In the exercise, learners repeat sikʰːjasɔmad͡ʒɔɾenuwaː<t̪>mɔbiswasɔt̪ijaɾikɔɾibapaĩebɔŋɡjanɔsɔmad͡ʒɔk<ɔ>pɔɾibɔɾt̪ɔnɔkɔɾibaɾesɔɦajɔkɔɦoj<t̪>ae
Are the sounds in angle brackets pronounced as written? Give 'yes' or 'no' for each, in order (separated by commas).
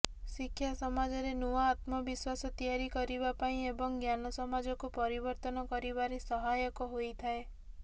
yes, no, no